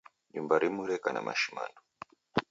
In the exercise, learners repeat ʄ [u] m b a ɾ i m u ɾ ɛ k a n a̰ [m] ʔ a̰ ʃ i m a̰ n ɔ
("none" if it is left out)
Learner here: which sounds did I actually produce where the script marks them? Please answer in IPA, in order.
u, m

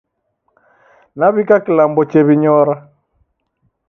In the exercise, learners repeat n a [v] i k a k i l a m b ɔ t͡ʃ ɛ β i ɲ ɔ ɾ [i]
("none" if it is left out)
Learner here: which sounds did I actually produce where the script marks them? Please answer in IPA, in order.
β, a

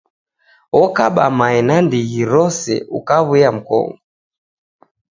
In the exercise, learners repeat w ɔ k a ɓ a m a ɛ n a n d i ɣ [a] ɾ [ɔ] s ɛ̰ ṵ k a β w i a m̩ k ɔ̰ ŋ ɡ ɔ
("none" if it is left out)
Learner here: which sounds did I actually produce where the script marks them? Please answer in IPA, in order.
i, ɔ

